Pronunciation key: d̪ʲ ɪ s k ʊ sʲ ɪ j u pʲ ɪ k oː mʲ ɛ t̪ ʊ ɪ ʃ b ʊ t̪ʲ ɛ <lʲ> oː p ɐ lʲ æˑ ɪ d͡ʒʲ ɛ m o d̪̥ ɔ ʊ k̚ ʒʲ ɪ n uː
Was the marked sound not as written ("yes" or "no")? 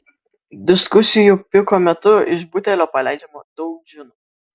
no